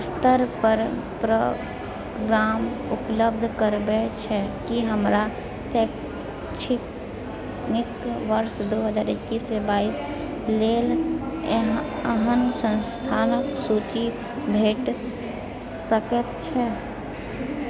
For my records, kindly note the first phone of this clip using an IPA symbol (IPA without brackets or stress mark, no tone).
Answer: s